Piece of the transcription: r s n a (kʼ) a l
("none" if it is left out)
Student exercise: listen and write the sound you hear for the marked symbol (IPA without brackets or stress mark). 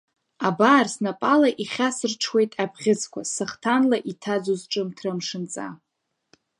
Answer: pʼ